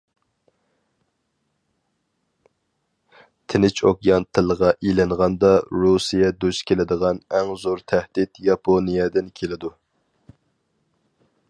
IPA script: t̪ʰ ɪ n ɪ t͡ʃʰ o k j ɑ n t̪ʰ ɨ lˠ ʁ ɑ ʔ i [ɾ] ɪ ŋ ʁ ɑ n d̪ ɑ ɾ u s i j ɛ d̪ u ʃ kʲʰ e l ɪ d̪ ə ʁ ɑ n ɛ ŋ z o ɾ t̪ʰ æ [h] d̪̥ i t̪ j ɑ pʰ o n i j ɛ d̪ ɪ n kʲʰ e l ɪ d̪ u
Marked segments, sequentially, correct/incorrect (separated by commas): incorrect, correct